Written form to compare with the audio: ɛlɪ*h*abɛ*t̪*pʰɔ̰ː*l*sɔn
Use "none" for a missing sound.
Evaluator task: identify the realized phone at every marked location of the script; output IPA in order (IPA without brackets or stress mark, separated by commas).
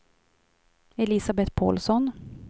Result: s, t̪, l